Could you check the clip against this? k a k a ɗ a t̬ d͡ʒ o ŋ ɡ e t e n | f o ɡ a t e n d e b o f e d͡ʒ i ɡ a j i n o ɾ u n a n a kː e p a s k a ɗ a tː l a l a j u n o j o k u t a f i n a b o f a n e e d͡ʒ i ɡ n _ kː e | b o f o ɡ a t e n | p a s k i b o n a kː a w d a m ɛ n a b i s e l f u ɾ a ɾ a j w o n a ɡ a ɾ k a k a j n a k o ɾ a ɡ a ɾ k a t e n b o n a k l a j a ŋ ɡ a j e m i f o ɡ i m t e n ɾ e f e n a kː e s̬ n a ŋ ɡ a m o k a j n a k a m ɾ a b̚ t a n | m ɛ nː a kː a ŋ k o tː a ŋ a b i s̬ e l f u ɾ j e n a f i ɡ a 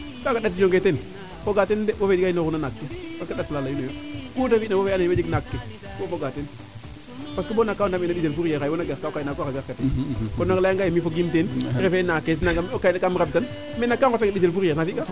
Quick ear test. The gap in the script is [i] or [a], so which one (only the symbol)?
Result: a